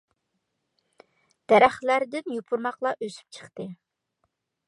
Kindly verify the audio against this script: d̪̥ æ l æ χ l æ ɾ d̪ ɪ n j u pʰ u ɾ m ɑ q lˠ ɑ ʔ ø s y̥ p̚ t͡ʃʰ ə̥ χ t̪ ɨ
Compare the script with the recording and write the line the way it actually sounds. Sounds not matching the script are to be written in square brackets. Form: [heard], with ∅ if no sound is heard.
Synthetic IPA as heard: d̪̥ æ [ɾ] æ χ l æ ɾ d̪ ɪ n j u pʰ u ɾ m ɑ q lˠ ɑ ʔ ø s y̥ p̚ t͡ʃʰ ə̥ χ t̪ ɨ

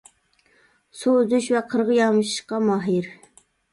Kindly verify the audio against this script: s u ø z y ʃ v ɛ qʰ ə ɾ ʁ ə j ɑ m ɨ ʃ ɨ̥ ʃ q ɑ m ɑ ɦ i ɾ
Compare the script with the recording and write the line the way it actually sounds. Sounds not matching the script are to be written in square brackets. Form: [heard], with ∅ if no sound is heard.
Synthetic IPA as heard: s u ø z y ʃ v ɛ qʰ ə ɾ ʁ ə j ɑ m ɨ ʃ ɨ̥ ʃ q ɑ m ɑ ɦ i ɾ

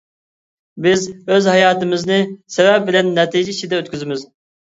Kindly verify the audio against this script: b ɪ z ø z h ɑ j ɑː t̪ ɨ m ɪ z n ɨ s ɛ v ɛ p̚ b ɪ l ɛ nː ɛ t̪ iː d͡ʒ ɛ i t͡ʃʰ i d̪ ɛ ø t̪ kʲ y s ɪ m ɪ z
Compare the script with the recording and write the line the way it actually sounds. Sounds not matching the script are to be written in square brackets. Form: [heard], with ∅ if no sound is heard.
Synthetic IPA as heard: b ɪ z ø z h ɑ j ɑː t̪ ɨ m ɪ z n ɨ s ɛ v ɛ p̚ b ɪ l ɛ nː ɛ t̪ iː d͡ʒ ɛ i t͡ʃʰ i d̪ ɛ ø t̪ kʲ y [z] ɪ m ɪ z

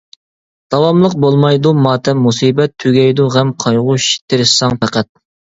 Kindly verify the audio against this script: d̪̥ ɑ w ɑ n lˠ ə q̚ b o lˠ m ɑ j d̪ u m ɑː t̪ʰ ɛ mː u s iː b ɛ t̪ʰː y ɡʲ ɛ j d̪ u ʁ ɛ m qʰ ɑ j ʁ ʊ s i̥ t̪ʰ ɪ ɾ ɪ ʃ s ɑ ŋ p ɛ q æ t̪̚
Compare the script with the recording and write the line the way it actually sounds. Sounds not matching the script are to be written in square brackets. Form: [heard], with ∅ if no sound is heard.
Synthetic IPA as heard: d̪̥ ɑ w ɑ [m] lˠ ə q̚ b o lˠ m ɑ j d̪ u m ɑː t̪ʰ ɛ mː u s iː b ɛ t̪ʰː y ɡʲ ɛ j d̪ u ʁ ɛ m qʰ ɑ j ʁ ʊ [ʃ] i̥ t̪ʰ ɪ ɾ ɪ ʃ s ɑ ŋ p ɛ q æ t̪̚

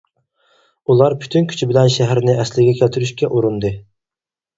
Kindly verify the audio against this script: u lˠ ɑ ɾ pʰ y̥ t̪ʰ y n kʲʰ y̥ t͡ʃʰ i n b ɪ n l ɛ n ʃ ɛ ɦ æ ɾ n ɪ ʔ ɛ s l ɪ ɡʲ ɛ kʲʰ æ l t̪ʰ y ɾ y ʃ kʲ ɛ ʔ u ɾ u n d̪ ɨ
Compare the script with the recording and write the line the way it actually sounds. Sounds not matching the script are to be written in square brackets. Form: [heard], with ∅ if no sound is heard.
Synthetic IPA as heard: u lˠ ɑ ɾ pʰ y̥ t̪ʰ y n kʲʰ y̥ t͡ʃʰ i [∅] b ɪ [∅] l ɛ n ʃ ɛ ɦ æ ɾ n ɪ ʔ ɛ s l ɪ ɡʲ ɛ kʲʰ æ l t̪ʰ y ɾ y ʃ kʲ ɛ ʔ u ɾ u n d̪ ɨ

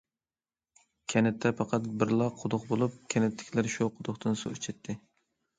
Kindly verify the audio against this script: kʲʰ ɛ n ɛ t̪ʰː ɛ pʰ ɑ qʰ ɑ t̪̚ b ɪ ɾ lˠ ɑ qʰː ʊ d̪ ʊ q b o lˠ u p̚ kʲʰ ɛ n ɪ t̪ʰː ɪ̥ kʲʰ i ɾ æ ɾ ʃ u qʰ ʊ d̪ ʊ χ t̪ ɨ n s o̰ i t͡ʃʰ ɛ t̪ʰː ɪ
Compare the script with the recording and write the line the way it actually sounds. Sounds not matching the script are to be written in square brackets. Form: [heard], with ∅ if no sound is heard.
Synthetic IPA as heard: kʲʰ ɛ n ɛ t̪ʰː ɛ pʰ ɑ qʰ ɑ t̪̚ b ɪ ɾ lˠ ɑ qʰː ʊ d̪ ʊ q b o lˠ u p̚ kʲʰ ɛ n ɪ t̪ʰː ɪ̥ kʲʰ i [l] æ ɾ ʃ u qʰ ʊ d̪ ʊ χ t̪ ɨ n s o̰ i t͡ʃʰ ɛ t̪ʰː ɪ

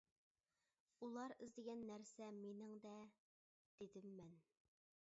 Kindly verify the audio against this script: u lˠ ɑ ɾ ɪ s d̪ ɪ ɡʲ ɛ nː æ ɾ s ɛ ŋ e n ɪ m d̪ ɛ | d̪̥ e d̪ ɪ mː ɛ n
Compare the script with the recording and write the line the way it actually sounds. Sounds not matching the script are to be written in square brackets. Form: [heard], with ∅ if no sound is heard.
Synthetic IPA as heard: u lˠ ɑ ɾ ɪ [z] d̪ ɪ ɡʲ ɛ nː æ ɾ s ɛ [m] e n ɪ [ŋ] d̪ ɛ | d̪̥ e d̪ ɪ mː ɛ n

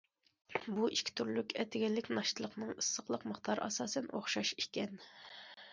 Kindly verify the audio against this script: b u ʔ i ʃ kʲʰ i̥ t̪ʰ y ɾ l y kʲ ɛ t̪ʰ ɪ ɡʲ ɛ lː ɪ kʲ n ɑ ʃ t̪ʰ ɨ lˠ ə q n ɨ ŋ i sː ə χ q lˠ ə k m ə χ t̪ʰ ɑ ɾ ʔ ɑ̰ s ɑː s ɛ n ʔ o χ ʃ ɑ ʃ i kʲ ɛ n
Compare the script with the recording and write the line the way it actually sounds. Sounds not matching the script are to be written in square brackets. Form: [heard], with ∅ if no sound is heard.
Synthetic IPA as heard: b u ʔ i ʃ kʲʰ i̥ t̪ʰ y ɾ l y kʲ ɛ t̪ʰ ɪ ɡʲ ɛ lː ɪ kʲ n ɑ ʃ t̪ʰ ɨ lˠ ə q n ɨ ŋ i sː ə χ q lˠ ə [q] m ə χ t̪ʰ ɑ ɾ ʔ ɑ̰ s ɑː s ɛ n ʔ o χ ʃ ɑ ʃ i kʲ ɛ n

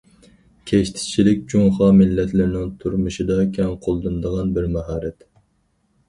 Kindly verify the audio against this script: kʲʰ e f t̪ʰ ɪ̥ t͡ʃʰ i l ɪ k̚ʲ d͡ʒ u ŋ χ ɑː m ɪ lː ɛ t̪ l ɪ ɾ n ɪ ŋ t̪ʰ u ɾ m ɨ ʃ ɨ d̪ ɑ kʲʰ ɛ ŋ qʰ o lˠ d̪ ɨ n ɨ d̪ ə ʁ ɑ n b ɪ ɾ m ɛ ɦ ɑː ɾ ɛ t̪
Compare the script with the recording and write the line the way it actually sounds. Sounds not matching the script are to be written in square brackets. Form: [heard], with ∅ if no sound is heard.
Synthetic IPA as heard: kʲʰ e [ʃ] t̪ʰ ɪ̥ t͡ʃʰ i l ɪ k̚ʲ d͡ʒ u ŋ χ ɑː m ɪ lː ɛ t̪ l ɪ ɾ n ɪ ŋ t̪ʰ u ɾ m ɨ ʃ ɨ d̪ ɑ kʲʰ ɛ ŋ qʰ o lˠ d̪ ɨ n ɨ d̪ ə ʁ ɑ n b ɪ ɾ m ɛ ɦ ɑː ɾ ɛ t̪

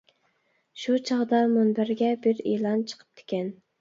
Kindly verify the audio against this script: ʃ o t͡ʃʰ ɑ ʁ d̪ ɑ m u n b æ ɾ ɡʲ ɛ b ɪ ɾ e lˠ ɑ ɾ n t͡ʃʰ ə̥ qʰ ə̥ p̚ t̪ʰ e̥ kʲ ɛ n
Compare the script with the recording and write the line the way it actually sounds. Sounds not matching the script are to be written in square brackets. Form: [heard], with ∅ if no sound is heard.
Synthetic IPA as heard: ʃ [u] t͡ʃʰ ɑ ʁ d̪ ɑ m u n b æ ɾ ɡʲ ɛ b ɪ ɾ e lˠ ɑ [∅] n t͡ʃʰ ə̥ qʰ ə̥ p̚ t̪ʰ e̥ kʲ ɛ n

